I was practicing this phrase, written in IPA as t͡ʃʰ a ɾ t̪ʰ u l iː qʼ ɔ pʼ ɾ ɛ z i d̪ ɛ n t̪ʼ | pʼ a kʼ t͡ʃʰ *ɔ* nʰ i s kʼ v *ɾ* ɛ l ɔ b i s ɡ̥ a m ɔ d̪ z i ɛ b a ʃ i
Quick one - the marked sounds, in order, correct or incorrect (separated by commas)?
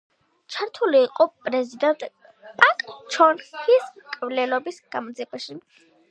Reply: correct, incorrect